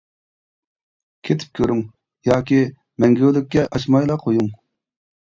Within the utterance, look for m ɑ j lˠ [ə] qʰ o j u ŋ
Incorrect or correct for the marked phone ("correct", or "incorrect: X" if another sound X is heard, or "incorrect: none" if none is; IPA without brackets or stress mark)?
incorrect: ɑ